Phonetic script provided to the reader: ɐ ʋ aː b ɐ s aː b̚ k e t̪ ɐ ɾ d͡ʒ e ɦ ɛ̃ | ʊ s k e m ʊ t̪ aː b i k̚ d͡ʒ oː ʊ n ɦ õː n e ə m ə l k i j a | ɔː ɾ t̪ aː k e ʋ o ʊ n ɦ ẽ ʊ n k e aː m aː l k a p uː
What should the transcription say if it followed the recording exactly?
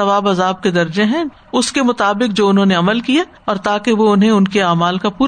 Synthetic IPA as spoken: ɐ ʋ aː b ɐ z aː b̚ k e d̪ ɐ ɾ d͡ʒ e ɦ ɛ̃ | ʊ s k e m ʊ t̪ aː b ɪ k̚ d͡ʒ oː ʊ n ɦ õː n e ɐ m ə l k i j a | ɔː ɾ t̪ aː k e ʋ o ʊ n ɦ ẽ ʊ n k e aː m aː l k a p uː